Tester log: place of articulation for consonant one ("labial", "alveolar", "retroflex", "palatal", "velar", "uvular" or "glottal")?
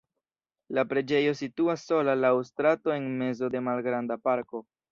alveolar